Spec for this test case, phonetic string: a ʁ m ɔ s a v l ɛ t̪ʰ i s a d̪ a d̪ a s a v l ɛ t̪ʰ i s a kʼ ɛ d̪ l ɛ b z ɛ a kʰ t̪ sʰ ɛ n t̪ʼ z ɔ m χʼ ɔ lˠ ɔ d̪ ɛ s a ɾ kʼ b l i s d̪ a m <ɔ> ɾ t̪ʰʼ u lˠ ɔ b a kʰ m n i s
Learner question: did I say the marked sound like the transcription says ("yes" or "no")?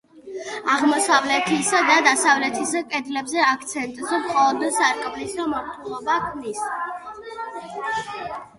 yes